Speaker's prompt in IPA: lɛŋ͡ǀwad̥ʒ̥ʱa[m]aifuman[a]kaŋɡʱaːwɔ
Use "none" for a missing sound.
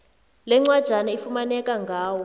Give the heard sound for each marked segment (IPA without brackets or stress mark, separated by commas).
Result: n, ɛ